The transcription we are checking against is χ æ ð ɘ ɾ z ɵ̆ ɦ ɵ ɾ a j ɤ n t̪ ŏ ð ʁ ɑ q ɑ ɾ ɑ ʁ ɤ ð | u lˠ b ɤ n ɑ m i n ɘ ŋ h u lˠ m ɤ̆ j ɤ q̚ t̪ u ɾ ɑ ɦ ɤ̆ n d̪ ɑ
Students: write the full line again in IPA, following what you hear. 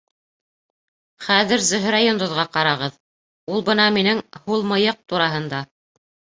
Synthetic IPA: χ æ ð ɘ ɾ z ɵ̆ ɦ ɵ ɾ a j o n d̪ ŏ ð ʁ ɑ q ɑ ɾ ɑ ʁ ɤ ð | u lˠ b ɤ n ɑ m i n ɘ ŋ h u lˠ m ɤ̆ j ɤ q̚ t̪ u ɾ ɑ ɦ ɤ̆ n d̪ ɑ